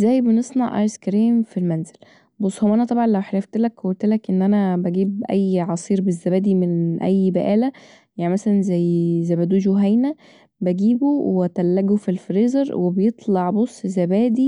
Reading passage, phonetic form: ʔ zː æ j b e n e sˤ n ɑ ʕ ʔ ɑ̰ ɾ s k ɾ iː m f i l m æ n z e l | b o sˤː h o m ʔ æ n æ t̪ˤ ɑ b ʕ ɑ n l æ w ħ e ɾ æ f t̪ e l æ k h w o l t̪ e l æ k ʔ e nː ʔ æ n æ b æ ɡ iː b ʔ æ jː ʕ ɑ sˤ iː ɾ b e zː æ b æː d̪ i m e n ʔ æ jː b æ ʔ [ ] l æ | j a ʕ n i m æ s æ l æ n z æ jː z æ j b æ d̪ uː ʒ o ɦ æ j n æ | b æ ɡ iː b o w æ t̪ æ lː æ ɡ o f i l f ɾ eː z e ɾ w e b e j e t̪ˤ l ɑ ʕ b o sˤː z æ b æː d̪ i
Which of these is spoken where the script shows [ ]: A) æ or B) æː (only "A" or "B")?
B